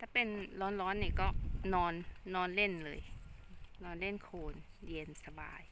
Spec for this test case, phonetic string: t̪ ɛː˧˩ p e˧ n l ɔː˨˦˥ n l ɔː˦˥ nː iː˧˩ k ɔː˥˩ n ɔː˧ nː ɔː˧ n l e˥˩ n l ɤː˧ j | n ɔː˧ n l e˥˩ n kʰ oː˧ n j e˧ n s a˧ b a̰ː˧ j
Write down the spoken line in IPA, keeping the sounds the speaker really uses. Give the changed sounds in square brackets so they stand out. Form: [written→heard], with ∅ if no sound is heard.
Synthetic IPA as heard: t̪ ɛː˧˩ p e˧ n l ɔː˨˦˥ n l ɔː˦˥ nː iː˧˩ k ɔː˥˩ n ɔː˧ nː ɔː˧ n l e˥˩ n l ɤː˧ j | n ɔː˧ n l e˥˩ n kʰ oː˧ n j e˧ n s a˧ b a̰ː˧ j